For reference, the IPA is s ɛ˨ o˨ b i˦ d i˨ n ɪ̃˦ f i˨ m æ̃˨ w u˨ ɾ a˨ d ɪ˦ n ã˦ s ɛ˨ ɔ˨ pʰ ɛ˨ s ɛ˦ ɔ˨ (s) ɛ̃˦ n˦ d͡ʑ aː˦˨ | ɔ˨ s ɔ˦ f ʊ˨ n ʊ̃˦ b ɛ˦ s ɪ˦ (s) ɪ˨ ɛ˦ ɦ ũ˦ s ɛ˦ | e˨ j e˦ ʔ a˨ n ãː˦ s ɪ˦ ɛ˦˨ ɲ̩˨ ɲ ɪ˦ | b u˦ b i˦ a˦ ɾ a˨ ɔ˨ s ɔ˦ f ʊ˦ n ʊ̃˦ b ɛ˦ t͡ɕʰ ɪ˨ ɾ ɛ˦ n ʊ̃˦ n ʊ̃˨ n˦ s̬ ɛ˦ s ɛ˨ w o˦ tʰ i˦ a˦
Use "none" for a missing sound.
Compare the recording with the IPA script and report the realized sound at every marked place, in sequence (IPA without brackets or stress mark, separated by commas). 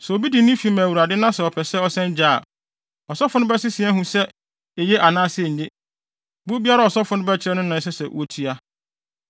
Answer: s, s